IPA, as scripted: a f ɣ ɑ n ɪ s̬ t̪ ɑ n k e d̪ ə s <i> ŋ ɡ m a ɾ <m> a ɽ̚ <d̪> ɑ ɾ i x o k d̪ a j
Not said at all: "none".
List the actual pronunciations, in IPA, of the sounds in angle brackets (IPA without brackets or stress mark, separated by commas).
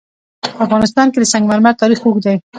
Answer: a, m, t̪